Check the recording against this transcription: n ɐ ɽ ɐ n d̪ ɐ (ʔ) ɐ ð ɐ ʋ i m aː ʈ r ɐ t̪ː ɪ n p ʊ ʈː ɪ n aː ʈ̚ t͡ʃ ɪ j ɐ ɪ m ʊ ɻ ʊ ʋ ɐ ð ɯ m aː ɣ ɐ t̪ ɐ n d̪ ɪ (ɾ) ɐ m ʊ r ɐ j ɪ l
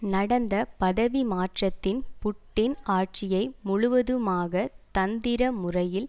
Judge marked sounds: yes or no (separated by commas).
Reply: no, yes